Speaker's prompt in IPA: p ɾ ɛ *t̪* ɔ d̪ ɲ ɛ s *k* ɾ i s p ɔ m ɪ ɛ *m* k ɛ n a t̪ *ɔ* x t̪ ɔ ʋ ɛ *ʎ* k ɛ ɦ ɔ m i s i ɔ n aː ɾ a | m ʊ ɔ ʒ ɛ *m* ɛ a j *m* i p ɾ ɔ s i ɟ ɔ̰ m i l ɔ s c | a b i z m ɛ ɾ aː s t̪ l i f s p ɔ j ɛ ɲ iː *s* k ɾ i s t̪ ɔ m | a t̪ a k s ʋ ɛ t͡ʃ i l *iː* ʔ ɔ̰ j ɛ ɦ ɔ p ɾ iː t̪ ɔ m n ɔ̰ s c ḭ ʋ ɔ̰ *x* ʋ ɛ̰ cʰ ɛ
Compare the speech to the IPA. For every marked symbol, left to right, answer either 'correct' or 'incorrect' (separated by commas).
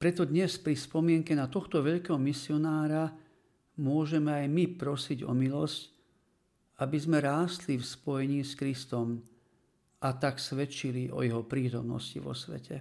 correct, incorrect, incorrect, correct, correct, correct, correct, correct, incorrect, incorrect